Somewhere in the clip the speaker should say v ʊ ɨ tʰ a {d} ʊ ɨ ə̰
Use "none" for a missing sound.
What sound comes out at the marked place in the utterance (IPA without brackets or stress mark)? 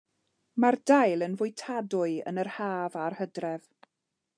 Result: d